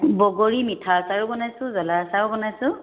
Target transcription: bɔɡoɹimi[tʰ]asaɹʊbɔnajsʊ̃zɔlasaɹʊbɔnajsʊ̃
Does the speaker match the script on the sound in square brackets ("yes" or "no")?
yes